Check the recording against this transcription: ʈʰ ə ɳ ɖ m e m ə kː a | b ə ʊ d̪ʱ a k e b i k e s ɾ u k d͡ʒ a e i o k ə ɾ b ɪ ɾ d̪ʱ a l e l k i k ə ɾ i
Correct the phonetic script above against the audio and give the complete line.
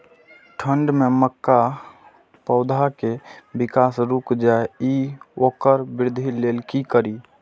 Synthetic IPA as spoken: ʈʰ ə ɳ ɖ m e m ə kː a | p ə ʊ d̪ʱ a k e b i k a s ɾ u k d͡ʒ a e i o k ə ɾ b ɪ ɾ d̪ʱ i l e l k i k ə ɾ i